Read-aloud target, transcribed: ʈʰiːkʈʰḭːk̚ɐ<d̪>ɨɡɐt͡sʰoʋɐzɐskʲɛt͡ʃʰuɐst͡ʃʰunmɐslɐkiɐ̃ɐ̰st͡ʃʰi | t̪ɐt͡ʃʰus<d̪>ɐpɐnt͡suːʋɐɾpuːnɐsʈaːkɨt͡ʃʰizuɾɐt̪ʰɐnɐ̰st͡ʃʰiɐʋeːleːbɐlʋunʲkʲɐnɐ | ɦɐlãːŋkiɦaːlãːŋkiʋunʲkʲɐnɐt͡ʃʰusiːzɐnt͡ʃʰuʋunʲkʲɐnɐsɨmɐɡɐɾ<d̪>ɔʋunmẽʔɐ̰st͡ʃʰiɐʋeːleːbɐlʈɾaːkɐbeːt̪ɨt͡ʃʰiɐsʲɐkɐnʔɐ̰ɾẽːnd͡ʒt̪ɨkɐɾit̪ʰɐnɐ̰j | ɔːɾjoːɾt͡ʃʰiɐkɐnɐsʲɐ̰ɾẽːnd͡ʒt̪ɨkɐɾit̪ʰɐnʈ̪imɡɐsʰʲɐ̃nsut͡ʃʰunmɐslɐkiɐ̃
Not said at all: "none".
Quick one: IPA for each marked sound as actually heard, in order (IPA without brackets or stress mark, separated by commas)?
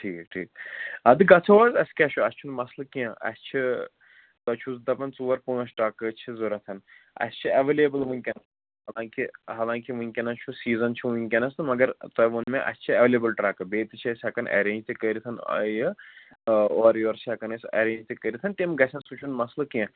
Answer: d̪, d̪, t̪